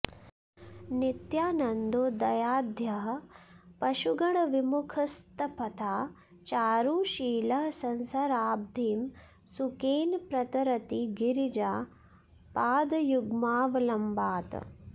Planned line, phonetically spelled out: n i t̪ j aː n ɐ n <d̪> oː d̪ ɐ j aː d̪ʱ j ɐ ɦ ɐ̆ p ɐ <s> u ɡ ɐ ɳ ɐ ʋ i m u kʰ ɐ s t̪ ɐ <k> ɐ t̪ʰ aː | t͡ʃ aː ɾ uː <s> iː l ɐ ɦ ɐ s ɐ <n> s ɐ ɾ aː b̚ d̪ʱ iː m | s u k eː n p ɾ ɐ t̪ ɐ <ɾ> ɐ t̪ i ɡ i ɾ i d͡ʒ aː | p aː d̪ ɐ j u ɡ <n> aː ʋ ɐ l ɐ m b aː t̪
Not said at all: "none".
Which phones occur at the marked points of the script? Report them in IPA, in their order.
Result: d̪, ʃ, p, ʃ, n, ɾ, m

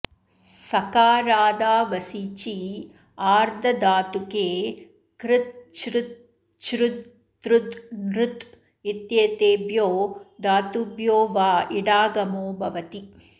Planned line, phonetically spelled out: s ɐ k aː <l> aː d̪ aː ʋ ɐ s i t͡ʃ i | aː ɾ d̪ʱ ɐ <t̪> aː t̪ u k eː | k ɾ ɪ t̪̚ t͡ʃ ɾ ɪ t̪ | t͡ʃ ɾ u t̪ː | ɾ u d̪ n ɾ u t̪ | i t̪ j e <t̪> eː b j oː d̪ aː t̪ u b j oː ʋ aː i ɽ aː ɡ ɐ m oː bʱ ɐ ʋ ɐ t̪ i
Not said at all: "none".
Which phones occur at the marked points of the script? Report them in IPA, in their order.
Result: ɾ, d̪, t̪

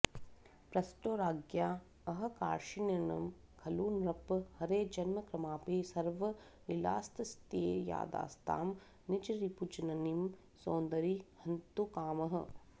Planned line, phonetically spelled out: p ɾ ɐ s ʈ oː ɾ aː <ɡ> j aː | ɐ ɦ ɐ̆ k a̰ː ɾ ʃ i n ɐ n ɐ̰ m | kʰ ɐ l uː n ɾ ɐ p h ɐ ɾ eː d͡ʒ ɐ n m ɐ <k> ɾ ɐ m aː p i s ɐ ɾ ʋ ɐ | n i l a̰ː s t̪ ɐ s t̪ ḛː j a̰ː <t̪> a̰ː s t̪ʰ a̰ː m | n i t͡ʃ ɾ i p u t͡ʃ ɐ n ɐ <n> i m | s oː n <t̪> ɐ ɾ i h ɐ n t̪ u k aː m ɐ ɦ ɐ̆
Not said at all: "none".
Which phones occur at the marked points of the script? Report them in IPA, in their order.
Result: ɡ, k, d̪, n, d̪

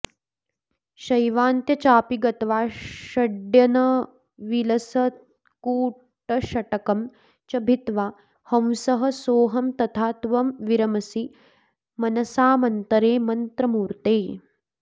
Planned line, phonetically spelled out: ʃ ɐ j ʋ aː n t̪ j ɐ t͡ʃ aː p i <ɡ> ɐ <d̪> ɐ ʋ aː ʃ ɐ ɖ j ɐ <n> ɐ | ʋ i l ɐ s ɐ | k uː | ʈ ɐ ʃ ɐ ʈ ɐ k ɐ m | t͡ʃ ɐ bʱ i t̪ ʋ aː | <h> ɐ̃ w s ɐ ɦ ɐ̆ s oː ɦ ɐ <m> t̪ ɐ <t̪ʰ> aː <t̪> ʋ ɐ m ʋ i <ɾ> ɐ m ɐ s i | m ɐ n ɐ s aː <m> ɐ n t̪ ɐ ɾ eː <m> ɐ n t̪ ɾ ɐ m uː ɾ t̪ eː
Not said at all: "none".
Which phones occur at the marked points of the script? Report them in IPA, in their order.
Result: ɡ, t̪, n, h, m, t̪ʰ, t̪, ɾ, m, m

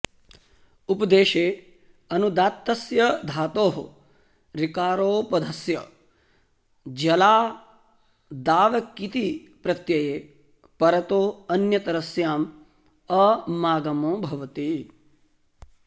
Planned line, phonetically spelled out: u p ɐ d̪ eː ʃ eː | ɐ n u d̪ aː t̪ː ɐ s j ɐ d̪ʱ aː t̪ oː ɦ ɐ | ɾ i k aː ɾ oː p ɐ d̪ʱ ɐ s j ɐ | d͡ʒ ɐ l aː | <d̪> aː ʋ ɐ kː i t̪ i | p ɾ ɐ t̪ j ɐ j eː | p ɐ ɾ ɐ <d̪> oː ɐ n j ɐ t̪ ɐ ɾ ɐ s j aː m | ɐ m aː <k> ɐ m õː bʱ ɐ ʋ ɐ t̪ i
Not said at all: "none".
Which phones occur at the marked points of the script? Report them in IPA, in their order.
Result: d̪, t̪, ɡ

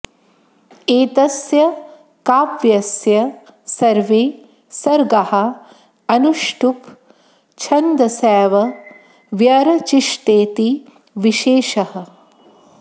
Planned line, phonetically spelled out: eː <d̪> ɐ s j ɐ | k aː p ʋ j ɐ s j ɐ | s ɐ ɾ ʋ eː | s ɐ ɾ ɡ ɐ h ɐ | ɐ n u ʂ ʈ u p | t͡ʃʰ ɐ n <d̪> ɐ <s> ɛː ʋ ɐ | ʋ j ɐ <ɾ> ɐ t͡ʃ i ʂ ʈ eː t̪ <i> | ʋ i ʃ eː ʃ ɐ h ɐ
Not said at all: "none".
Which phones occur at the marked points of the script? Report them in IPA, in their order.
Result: t̪, d̪, s, ɾ, i

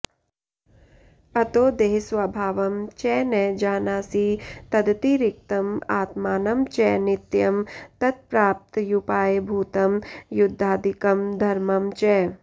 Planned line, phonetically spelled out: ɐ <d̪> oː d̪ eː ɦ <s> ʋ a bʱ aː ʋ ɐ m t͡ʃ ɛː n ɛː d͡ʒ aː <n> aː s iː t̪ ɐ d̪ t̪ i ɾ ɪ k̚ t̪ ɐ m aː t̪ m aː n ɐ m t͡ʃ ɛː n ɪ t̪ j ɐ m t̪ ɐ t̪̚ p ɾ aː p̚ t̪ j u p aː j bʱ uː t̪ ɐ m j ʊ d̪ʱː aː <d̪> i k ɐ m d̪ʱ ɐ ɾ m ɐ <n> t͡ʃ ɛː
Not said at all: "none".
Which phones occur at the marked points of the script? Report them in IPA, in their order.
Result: t̪, s, n, d̪, m

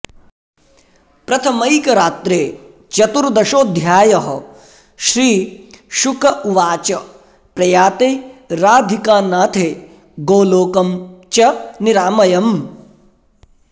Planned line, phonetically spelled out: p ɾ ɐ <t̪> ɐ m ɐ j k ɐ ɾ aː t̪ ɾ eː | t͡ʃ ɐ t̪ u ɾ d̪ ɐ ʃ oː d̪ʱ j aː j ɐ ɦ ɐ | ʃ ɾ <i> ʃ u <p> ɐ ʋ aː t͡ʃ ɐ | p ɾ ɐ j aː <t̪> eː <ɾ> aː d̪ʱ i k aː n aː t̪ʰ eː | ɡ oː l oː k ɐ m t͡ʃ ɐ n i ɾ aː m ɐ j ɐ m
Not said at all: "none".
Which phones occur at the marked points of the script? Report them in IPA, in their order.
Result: t̪ʰ, iː, k, t̪, ɾ

